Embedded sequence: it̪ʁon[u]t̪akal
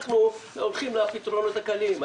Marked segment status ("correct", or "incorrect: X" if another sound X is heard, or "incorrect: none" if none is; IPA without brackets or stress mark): incorrect: o